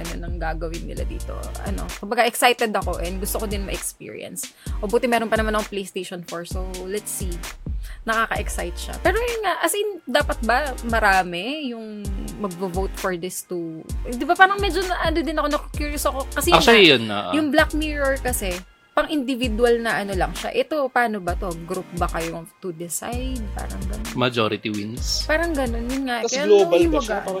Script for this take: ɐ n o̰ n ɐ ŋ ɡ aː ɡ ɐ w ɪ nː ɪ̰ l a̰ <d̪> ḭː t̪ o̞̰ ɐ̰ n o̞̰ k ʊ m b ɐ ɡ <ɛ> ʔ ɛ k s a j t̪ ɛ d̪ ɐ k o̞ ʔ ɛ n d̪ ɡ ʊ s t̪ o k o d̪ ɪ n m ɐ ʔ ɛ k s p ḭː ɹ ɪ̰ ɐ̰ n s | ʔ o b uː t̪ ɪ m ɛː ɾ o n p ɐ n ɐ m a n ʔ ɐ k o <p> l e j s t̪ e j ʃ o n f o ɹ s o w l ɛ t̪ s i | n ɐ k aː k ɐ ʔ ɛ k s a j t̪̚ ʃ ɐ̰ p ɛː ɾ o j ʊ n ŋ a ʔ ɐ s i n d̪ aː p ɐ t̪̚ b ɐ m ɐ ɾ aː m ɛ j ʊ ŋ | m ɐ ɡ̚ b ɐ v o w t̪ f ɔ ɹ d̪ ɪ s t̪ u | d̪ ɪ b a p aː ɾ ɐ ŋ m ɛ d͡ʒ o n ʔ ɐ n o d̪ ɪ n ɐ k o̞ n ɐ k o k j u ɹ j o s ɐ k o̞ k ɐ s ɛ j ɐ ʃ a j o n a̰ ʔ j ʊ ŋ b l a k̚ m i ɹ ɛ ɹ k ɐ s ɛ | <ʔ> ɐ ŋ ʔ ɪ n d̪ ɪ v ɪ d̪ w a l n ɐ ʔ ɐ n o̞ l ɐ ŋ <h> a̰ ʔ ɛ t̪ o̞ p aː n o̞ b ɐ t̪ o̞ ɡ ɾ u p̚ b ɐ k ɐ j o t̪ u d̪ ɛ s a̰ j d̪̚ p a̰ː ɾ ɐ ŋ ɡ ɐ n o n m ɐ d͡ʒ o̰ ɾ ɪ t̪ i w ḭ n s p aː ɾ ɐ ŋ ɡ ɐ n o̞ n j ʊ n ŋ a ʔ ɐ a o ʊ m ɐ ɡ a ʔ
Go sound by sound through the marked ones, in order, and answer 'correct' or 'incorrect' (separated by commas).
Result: correct, incorrect, correct, incorrect, incorrect